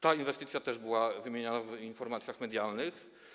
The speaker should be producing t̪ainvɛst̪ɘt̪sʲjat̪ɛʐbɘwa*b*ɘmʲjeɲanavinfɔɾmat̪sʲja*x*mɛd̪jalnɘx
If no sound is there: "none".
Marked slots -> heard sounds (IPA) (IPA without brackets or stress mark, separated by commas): v, x